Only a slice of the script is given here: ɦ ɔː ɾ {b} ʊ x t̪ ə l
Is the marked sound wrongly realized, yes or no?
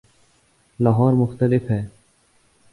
yes